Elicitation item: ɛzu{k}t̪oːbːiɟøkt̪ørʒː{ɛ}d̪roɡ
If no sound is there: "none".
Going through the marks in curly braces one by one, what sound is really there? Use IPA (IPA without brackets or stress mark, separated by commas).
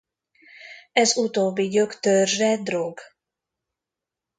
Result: none, ɛ